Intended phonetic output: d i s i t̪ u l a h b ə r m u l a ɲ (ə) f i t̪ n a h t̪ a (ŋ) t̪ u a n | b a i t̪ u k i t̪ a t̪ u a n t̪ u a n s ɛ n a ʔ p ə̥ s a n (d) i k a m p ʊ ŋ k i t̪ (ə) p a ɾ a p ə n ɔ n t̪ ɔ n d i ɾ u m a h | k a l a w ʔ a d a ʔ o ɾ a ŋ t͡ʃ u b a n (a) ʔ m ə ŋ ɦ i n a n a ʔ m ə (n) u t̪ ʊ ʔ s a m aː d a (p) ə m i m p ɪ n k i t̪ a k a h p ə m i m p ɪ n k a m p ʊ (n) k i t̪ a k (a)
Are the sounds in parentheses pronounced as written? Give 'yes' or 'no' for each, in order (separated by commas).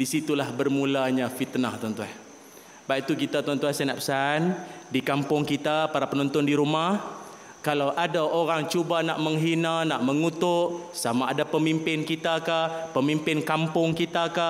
no, no, yes, no, yes, no, yes, no, yes